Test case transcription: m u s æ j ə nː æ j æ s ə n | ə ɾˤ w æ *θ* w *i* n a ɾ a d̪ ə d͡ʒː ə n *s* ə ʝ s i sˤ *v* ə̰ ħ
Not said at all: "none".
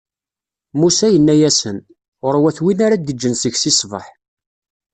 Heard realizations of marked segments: θ, i, s, v

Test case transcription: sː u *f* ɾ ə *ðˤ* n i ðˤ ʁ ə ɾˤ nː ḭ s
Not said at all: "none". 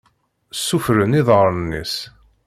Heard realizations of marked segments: f, none

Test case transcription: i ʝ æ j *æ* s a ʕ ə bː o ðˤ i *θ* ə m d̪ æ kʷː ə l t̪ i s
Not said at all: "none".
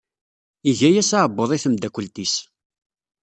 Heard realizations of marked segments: æ, θ

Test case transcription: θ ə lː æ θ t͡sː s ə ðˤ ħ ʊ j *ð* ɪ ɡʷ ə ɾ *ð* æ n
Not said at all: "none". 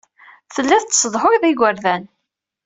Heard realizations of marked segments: ð, ð

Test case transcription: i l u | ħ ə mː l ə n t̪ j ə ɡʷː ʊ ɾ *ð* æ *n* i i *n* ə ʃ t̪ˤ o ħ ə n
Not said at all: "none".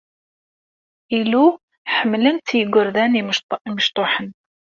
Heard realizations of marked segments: ð, n, m

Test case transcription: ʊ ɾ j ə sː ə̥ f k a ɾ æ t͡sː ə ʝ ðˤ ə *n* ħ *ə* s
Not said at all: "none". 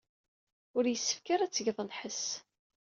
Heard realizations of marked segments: n, ə

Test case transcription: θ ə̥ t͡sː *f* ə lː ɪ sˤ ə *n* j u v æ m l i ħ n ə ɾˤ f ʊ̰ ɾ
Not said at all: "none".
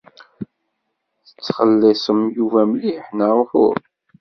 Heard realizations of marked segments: χ, m

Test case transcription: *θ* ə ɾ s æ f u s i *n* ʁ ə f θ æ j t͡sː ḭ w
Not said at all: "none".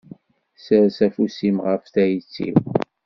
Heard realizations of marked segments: s, m

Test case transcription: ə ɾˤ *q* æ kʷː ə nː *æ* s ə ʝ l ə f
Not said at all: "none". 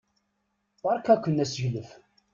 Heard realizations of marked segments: k, æ

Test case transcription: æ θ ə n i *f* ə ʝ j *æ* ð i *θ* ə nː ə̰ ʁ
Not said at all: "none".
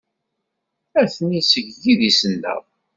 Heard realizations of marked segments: s, i, s

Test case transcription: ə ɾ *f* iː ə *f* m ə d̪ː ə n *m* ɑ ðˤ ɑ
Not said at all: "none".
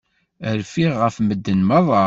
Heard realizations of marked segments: f, f, m

